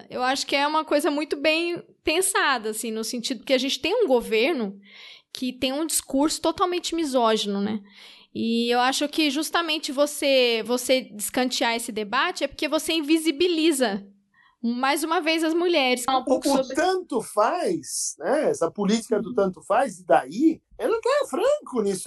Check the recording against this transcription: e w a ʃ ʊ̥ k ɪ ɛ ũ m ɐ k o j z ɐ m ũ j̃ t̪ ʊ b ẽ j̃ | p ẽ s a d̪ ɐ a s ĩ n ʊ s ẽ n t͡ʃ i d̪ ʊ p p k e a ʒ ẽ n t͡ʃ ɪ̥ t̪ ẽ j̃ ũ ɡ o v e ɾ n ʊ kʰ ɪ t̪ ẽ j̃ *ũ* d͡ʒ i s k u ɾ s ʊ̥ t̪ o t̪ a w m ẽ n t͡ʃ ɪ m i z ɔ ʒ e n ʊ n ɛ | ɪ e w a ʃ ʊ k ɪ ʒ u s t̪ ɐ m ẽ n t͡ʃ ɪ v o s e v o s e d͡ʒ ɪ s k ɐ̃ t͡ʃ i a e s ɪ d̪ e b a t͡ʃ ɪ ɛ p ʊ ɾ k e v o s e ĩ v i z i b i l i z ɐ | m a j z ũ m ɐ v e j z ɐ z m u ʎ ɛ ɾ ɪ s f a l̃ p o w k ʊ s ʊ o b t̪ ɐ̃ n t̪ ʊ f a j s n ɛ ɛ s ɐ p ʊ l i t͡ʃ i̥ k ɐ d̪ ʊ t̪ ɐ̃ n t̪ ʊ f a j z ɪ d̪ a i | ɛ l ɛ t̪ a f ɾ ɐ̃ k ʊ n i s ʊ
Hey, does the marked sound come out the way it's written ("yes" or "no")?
yes